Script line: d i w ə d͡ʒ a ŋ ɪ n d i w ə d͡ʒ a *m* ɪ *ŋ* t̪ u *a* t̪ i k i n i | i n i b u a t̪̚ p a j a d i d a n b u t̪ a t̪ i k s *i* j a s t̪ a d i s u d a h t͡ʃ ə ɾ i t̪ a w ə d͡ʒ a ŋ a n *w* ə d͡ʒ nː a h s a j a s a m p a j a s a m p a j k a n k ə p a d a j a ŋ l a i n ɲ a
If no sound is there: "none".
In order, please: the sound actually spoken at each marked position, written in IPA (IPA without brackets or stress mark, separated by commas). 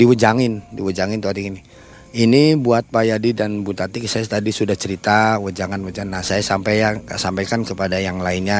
ŋ, n, a, a, w